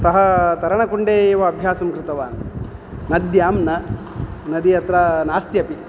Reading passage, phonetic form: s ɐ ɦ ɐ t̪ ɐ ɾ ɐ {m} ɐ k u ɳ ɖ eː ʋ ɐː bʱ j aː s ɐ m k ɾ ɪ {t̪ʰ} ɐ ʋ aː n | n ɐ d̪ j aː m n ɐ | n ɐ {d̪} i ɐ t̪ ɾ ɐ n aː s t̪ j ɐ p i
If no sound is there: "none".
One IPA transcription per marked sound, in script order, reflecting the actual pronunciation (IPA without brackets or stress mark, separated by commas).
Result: ɳ, t̪, d̪